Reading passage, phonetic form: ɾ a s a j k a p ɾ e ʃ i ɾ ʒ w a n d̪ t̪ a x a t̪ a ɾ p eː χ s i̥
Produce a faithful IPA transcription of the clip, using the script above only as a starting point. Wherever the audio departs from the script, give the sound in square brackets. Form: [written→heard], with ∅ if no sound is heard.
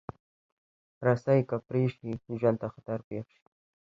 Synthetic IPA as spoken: ɾ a s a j k a p ɾ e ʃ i [ɾ→∅] ʒ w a n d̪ t̪ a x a t̪ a ɾ p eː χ [s→ʃ] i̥